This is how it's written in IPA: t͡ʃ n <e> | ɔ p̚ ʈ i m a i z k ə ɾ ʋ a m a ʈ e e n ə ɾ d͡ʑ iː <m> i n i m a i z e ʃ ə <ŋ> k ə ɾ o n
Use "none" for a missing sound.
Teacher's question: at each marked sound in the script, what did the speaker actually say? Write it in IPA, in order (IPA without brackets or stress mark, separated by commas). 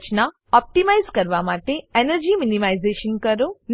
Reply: a, m, n